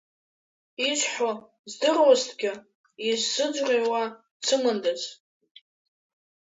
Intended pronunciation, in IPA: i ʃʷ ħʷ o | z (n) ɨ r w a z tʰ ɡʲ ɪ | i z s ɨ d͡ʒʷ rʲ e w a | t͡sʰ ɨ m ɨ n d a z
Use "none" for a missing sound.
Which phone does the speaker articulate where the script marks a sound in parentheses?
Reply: d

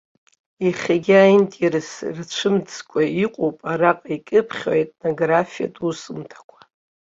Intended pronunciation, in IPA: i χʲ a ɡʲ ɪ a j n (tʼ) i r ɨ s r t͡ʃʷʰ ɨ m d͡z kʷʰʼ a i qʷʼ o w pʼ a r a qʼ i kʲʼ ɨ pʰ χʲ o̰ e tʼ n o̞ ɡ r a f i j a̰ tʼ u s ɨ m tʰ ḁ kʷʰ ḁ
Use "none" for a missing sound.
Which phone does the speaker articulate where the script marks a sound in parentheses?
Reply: tʼ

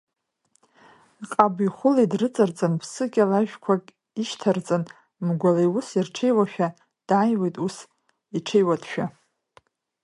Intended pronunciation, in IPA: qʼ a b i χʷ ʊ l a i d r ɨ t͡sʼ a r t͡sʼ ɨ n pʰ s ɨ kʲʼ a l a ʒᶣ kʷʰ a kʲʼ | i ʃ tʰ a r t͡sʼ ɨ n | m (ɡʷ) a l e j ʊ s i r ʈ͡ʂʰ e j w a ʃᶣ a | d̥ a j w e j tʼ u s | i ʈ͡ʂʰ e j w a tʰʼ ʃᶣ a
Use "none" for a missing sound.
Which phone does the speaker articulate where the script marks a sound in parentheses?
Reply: ɡʷ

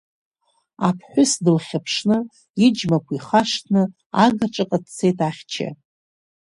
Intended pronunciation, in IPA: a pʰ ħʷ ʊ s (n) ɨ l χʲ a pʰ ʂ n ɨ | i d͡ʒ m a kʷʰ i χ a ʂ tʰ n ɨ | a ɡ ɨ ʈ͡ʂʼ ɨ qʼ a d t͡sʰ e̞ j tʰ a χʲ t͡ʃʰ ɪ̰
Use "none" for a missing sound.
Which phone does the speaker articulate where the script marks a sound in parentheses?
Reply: d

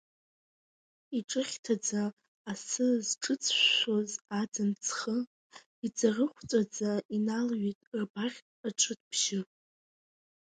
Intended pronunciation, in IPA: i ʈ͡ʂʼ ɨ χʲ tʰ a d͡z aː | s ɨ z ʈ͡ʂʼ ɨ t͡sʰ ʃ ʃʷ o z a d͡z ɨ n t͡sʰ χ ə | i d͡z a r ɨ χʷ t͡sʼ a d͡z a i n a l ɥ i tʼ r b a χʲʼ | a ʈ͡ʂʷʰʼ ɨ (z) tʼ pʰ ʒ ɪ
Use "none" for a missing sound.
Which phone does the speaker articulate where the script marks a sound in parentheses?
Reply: none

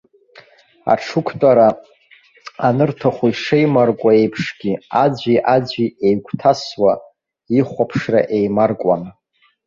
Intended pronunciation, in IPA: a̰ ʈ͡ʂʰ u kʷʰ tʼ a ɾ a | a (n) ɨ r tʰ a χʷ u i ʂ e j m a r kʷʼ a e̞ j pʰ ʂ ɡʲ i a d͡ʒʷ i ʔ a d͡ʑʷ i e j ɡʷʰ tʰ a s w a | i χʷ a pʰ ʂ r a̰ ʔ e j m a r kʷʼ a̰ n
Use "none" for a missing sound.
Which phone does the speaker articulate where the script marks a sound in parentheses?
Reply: n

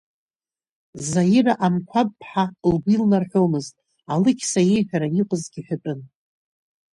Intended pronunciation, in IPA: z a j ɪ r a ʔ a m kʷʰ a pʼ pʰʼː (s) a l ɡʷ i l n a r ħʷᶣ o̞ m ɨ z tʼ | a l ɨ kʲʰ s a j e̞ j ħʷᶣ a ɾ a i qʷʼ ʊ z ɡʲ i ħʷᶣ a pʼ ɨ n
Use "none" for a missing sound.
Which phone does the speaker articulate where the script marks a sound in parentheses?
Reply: ħ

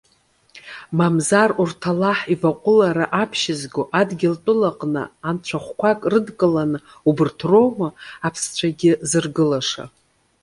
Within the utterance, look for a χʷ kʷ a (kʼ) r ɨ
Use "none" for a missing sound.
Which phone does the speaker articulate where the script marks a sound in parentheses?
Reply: kʼ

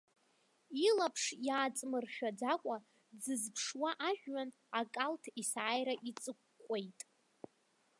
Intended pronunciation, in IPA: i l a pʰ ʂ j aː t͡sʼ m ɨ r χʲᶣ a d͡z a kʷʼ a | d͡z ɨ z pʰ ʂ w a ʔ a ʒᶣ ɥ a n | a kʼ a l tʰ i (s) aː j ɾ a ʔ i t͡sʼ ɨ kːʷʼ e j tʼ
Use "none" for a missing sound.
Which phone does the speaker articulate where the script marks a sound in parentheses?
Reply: s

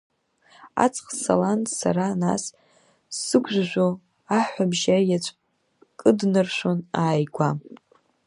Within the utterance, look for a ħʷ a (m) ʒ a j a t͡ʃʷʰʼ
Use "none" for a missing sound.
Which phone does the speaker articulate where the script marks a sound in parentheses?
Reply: b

